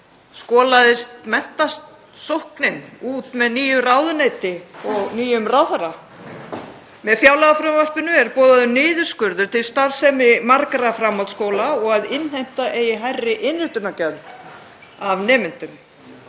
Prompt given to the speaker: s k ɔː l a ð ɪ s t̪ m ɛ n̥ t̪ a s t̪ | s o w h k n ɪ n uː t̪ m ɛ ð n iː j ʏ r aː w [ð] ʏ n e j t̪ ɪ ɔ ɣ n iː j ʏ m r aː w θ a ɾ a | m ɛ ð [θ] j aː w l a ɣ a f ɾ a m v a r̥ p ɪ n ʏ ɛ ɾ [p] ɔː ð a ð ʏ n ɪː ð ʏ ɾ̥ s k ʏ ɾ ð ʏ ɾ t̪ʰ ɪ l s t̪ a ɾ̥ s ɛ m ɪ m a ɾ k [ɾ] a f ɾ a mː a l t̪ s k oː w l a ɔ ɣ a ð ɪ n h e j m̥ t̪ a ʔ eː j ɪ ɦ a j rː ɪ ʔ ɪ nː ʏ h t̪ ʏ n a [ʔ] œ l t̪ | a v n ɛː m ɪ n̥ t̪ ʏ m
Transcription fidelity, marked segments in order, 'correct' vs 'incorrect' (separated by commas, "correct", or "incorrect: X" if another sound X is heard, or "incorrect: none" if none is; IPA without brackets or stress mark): correct, incorrect: f, correct, correct, incorrect: c